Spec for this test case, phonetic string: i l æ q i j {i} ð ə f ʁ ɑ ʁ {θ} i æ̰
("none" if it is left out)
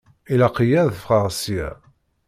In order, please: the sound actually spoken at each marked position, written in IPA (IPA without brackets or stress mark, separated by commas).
æ, s